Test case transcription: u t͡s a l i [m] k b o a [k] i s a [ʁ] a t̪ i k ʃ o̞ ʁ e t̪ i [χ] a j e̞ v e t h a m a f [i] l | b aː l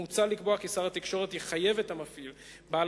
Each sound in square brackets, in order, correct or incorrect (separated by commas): incorrect, correct, correct, correct, correct